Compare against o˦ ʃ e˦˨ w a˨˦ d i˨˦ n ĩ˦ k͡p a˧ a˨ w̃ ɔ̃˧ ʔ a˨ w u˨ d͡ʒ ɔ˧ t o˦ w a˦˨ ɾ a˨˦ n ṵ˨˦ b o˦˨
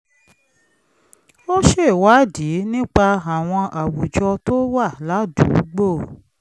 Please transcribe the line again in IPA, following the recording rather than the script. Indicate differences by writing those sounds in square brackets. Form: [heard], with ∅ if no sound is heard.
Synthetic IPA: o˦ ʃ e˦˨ w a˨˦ d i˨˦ n ĩ˦ k͡p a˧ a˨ w̃ ɔ̃˧ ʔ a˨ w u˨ d͡ʒ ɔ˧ t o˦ w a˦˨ [l] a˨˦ [d] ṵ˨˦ [ɡ͡b] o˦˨